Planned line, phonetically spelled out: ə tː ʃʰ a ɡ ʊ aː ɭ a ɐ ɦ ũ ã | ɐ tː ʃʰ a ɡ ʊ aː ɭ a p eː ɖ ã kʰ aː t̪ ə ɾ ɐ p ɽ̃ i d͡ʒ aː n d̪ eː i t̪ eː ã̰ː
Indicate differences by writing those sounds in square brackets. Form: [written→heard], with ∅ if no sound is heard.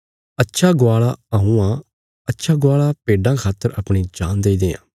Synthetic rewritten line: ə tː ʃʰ a ɡ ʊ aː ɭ a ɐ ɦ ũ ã | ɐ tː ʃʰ a ɡ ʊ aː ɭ a p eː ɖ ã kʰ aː t̪ ə ɾ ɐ p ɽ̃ i d͡ʒ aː n d̪ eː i [t̪→d̪] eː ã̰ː